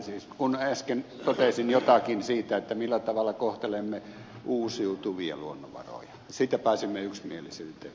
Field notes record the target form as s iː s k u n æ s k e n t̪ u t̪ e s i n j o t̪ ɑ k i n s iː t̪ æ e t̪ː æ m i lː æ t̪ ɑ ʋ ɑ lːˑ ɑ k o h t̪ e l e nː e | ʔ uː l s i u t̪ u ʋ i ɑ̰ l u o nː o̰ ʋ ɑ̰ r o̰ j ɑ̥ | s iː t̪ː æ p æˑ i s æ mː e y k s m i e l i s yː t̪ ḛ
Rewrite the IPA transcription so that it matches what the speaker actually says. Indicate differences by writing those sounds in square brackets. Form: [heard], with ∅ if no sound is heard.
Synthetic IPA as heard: s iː s k u n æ s k e n t̪ [o] t̪ e s i n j o t̪ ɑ k i n s iː t̪ æ e t̪ː æ m i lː æ t̪ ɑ ʋ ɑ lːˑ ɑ k o h t̪ e l e [mː] e | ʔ uː [∅] s i u t̪ u ʋ i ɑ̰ l u o nː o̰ ʋ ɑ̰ r o̰ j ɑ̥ | s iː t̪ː æ p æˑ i s [i] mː e y k s m i e l i s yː t̪ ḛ